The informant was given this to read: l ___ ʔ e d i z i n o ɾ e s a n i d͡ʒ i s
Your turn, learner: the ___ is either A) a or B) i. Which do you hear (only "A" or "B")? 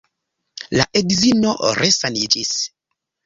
A